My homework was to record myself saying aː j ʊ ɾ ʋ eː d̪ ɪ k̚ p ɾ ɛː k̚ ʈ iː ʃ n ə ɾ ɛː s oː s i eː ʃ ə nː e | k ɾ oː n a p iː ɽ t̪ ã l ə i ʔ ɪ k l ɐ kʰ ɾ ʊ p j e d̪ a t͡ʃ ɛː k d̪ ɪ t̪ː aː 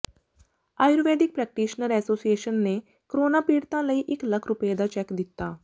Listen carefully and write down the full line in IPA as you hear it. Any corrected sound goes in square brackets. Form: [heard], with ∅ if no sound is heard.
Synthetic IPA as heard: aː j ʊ ɾ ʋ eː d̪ ɪ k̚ p ɾ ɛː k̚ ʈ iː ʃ n ə ɾ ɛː s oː s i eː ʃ ə nː e | k ɾ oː n a p iː ɽ t̪ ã l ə i ʔ ɪ k l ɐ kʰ ɾ ʊ p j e d̪ a t͡ʃ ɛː k d̪ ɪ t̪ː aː